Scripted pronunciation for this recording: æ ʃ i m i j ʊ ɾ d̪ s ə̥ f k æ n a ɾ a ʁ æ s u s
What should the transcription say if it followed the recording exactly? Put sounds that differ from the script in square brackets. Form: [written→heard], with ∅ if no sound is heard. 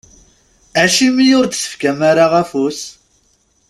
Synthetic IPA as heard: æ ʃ i m i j ʊ ɾ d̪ s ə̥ f k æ [n→m] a ɾ a ʁ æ [s→f] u s